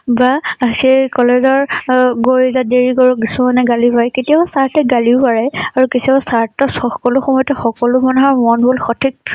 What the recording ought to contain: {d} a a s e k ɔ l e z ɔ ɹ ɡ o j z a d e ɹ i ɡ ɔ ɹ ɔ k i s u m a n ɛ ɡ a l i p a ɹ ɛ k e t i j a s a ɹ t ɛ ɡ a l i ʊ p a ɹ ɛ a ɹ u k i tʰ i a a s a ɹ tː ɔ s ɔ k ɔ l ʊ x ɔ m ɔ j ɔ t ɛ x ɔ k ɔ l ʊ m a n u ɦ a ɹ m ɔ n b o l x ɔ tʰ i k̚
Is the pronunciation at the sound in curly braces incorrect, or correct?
incorrect